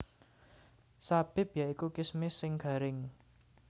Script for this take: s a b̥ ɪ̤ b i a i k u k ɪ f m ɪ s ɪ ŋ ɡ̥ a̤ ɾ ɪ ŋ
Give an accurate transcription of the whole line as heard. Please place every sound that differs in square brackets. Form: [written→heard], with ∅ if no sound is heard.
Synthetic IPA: s a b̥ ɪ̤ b [i→j] a i k u k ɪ [f→s] m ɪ s ɪ ŋ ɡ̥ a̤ ɾ ɪ ŋ